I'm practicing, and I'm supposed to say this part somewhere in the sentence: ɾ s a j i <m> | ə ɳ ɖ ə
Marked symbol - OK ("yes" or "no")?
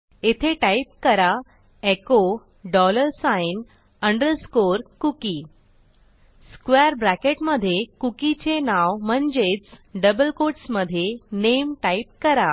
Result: no